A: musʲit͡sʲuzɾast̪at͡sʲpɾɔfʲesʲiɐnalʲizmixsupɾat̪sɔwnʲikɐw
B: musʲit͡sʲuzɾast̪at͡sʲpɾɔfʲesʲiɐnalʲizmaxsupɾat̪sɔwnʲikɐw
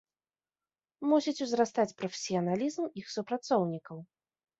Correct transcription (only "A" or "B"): A